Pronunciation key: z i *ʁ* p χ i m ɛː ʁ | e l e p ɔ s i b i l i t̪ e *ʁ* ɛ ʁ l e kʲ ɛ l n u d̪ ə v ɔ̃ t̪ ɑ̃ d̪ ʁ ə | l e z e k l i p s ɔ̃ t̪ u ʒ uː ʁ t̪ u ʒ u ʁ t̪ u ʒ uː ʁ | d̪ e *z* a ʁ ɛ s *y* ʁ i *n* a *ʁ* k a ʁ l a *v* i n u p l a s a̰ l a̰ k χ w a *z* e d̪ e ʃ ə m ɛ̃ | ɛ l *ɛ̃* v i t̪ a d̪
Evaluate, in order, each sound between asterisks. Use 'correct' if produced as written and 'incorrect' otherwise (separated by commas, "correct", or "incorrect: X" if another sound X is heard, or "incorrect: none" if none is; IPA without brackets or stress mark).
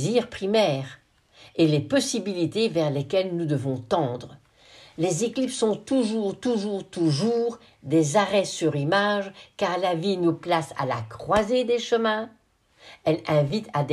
correct, incorrect: v, correct, correct, incorrect: m, incorrect: ʒ, correct, correct, correct